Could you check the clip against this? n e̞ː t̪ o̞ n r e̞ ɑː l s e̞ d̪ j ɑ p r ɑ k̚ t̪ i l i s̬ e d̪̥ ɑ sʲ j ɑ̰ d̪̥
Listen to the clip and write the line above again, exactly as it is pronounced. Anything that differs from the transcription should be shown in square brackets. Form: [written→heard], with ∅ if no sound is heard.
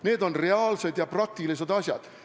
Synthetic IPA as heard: n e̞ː [t̪→d̪] o̞ n r e̞ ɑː l s e̞ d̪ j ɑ p r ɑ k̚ t̪ i l i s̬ e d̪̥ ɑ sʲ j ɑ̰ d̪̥

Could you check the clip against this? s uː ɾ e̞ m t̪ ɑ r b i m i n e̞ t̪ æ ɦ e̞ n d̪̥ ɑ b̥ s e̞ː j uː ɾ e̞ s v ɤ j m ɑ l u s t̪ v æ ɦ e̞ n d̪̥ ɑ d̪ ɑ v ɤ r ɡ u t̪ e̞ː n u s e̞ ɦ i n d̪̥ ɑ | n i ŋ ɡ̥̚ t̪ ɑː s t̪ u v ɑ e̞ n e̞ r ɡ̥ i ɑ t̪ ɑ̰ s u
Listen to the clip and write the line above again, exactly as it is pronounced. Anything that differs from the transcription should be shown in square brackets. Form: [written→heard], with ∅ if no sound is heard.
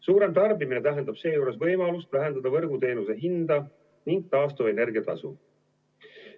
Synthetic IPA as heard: s uː ɾ e̞ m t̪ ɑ r b i m i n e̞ t̪ æ ɦ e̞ n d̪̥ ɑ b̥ s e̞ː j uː ɾ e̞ s v ɤ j m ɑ l u s t̪ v æ ɦ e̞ n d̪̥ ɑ d̪ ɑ v ɤ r ɡ u t̪ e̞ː n u s e̞ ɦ i n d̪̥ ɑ | n i ŋ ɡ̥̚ t̪ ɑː s t̪ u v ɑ e̞ n e̞ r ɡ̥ i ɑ t̪ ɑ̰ s u

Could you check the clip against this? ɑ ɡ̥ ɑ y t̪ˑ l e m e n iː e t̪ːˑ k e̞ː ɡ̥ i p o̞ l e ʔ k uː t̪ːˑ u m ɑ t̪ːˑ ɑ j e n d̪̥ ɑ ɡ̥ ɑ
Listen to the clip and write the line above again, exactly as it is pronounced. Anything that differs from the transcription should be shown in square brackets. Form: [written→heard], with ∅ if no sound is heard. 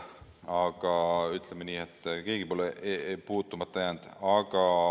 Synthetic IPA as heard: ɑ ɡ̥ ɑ y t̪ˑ l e m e n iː e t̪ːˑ k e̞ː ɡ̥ i p o̞ l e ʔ [k→p] uː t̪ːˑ u m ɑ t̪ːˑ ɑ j [e→æ] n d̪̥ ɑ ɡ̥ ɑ

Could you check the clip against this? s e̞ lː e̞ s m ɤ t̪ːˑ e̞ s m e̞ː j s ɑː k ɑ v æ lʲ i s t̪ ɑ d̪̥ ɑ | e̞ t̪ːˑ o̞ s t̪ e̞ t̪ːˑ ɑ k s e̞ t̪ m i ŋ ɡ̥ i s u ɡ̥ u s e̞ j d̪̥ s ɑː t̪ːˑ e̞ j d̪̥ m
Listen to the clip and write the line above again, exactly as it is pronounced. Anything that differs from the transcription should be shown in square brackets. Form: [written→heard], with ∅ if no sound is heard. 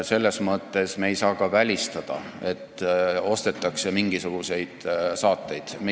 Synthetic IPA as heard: s e̞ lː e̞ s m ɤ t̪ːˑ e̞ s m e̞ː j s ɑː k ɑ v æ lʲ i s t̪ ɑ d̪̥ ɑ | e̞ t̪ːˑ o̞ s t̪ e̞ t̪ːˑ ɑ k s e̞ [t̪→∅] m i ŋ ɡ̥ i s u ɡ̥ u s e̞ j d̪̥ s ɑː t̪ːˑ e̞ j d̪̥ m

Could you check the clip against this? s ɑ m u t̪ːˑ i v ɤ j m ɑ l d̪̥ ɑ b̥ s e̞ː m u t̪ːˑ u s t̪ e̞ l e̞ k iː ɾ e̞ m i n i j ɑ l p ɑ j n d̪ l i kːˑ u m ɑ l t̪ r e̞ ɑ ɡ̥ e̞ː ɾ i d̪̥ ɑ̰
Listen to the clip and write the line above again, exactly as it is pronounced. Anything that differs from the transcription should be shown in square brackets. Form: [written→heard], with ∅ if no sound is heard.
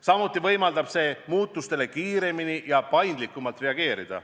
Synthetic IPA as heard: s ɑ m u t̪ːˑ i v ɤ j m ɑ l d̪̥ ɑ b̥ s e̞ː m [u→uː] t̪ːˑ u s t̪ e̞ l e̞ k iː ɾ e̞ m i n i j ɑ [l→∅] p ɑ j n d̪ l i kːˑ u m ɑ l t̪ r e̞ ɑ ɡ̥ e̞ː ɾ i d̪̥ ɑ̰

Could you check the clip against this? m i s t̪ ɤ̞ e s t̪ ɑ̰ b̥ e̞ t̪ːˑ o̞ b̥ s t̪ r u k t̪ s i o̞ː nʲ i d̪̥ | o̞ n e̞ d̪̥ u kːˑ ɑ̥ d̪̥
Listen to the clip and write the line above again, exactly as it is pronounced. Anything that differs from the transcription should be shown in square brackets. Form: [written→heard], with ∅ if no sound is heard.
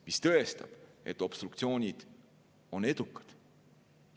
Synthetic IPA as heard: m i s t̪ ɤ̞ e s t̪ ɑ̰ b̥ e̞ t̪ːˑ o̞ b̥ s t̪ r u k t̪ s i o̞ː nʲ i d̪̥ | o̞ n e̞ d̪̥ u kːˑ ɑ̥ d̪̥

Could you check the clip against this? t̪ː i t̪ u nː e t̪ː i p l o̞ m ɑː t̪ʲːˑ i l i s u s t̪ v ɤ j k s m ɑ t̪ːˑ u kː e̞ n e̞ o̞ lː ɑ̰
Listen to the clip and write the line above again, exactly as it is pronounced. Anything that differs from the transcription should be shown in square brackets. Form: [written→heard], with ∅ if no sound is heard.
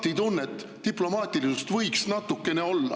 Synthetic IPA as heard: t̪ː i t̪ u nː e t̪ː i p l o̞ m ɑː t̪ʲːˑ i l i s u s t̪ v ɤ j k s [m→n] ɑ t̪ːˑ u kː e̞ n e̞ o̞ lː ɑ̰

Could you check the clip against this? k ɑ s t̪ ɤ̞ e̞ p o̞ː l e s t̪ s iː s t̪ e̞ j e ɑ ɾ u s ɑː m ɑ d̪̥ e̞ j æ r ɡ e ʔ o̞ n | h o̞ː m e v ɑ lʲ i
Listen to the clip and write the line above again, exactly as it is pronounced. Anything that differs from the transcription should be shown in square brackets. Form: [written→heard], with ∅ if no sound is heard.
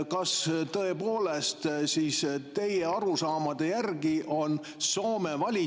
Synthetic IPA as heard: k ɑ s t̪ ɤ̞ e̞ p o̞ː l e s t̪ s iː s t̪ e̞ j e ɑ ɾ u s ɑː m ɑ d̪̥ e̞ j æ r ɡ [e→i] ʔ o̞ n | [h→s] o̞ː m e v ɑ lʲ i

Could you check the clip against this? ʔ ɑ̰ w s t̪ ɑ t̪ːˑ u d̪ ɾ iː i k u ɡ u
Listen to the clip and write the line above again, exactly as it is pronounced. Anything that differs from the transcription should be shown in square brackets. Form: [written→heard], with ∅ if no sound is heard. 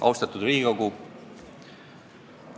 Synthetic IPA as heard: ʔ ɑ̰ w s t̪ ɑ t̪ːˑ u d̪ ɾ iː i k [u→o] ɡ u

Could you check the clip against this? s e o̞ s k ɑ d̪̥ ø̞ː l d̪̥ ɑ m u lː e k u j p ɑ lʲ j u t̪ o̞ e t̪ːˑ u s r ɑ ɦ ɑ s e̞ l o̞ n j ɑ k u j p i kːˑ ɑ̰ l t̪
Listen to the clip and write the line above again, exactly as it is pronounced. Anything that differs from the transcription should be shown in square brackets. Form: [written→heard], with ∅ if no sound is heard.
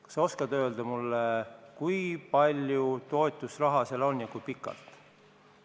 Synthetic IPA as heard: s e o̞ s k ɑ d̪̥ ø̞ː l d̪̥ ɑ m u lː e k u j p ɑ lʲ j u t̪ o̞ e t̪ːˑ u s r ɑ ɦ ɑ s e̞ l o̞ n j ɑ k u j p i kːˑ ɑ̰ l t̪

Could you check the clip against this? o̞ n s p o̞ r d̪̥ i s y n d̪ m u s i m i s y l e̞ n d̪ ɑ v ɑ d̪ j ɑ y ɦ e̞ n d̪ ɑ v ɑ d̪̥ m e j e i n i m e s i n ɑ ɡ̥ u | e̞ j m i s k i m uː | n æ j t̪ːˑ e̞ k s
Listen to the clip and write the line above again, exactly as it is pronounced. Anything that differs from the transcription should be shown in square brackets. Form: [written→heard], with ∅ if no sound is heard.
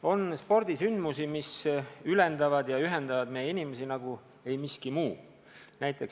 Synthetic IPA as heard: o̞ n s p o̞ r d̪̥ i s y n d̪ m u s i m i s y l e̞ n d̪ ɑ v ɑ d̪ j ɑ y ɦ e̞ n d̪ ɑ v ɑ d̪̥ m e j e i n i m e s i n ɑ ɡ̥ u | e̞ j m i s k i m uː | n æ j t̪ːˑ e̞ k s

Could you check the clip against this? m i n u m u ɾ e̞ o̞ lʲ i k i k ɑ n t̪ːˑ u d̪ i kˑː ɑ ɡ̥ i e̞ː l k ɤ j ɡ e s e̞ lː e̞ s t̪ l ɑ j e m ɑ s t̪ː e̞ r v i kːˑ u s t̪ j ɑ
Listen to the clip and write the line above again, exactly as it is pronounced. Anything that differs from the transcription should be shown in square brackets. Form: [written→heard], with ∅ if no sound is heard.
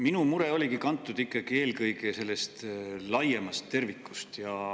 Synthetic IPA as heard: m i n u m u ɾ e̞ o̞ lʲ i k i k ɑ n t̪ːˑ u d̪ i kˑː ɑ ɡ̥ i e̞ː l k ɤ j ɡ e s e̞ lː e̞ s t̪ l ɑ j e m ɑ s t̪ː e̞ r v i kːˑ u s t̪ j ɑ

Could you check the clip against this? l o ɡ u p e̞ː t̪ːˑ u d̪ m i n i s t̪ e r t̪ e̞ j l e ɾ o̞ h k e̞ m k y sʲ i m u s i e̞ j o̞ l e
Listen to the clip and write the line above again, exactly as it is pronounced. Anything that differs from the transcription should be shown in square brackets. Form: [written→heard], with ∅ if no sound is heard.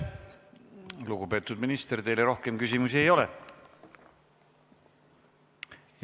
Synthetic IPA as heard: l [o→u] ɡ u p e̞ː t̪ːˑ u d̪ m i n i s t̪ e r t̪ e̞ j l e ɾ o̞ h k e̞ m k y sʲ i m u s i e̞ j o̞ l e

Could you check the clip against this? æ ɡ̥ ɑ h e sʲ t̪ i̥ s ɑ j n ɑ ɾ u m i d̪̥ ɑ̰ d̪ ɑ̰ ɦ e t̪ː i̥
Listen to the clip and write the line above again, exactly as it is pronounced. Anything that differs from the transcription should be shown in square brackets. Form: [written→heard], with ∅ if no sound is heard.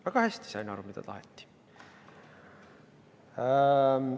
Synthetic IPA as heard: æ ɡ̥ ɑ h [e→æ] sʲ t̪ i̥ s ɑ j n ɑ ɾ u m i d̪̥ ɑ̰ [d̪→t̪] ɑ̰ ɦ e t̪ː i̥

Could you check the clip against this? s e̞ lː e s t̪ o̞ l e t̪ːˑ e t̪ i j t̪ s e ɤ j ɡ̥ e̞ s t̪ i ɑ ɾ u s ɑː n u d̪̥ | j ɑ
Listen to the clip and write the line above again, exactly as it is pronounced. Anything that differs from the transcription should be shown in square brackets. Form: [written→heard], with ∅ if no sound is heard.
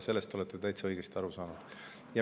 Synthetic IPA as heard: s e̞ lː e s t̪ o̞ l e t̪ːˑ e t̪ [i→æ] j t̪ s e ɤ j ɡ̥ e̞ s t̪ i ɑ ɾ u s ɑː n u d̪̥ | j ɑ

